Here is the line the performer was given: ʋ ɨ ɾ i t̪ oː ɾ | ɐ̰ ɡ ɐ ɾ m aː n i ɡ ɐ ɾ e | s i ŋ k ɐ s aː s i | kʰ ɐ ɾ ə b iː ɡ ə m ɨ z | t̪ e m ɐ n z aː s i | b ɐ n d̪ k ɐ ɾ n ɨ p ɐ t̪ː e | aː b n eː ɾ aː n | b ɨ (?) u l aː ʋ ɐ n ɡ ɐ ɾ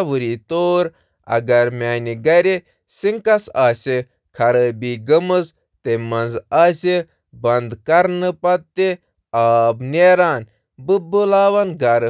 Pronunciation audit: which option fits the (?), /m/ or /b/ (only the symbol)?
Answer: b